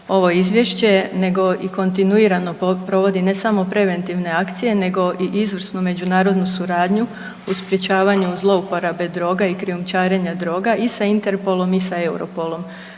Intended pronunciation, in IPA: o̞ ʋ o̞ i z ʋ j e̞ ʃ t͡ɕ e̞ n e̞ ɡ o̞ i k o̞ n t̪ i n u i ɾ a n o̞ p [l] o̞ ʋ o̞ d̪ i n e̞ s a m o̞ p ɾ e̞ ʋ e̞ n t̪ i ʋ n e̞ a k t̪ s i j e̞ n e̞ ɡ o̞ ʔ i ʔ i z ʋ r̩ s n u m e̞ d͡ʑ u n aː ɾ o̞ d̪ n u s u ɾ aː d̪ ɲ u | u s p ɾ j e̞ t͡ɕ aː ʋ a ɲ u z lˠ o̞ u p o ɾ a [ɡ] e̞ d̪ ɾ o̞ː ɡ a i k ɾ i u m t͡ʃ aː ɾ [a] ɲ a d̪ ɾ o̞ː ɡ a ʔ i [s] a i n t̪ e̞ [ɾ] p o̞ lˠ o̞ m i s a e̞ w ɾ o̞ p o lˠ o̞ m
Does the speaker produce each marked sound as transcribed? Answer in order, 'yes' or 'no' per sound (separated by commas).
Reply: no, no, no, yes, yes